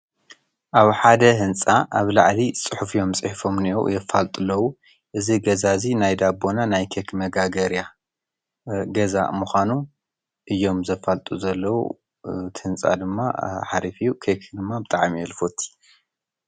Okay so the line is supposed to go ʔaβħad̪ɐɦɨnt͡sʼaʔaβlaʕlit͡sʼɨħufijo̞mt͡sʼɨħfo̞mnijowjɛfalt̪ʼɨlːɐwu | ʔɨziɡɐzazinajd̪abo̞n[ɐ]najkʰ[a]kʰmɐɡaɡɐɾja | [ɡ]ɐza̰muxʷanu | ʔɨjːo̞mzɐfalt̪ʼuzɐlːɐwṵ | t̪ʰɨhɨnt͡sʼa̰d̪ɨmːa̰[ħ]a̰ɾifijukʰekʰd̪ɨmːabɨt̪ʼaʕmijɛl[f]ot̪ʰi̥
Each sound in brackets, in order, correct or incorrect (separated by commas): incorrect, incorrect, correct, correct, correct